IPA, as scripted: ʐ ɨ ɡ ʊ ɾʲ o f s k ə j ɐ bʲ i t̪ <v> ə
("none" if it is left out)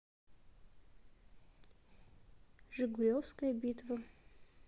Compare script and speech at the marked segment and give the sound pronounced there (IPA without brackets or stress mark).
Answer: v